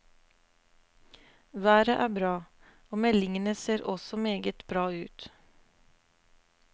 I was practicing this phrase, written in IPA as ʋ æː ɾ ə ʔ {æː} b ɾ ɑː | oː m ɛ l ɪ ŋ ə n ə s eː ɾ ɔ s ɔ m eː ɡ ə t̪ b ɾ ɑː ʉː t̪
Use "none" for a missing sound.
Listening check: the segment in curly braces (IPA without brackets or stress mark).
æː